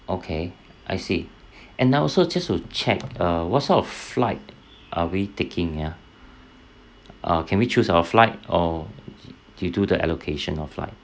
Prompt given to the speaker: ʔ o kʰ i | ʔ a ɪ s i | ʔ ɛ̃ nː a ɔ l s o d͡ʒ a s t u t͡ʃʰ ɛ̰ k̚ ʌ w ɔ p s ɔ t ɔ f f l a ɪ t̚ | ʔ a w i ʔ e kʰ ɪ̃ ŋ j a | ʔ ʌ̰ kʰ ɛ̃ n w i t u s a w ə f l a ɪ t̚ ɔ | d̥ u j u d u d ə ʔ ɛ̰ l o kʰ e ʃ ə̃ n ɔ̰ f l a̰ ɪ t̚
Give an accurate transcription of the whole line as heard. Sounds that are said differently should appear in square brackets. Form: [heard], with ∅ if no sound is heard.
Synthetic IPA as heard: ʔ o kʰ [e] | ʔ a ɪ s i | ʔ ɛ̃ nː a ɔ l s o d͡ʒ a s t u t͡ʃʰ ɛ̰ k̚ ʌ w ɔ [t] s ɔ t ɔ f f l a ɪ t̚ | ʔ a w i [t] e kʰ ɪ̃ ŋ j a | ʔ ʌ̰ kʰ ɛ̃ n w i [t͡ʃ] u s a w ə f l a ɪ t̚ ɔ | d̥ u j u d u d ə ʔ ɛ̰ l o kʰ e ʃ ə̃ n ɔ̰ f l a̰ ɪ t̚